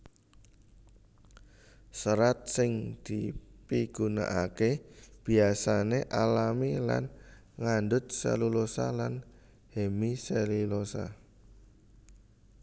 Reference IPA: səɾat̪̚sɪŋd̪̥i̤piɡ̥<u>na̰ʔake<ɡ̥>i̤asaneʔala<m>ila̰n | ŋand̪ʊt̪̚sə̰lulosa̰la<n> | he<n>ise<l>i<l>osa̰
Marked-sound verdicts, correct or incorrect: correct, incorrect, correct, correct, incorrect, correct, correct

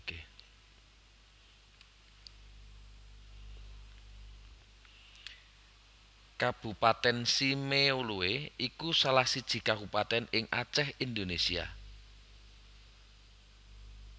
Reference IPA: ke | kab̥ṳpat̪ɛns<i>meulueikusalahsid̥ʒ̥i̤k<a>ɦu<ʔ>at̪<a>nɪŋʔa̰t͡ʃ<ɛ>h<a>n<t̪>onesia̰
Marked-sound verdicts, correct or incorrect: correct, correct, incorrect, incorrect, correct, incorrect, incorrect

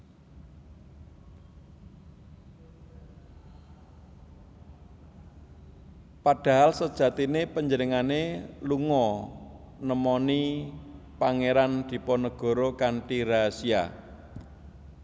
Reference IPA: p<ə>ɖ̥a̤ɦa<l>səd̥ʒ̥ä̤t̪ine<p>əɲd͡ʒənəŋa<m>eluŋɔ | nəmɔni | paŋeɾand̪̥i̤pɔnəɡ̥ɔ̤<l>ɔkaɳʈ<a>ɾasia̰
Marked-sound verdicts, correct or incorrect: incorrect, correct, correct, incorrect, incorrect, incorrect

